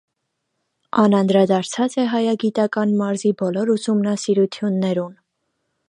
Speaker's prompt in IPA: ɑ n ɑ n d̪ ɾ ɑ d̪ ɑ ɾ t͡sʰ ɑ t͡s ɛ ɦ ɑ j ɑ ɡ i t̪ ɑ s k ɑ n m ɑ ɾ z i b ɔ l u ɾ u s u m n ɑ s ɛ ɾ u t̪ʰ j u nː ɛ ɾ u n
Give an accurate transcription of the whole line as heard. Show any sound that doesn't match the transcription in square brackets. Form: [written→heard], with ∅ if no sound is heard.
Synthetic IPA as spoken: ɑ n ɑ n d̪ ɾ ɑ d̪ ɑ ɾ t͡sʰ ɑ t͡s ɛ ɦ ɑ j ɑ ɡ i t̪ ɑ [s→∅] k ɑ n m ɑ ɾ z i b ɔ l [u→ɔ] ɾ u s u m n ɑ s [ɛ→i] ɾ u t̪ʰ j u nː ɛ ɾ u n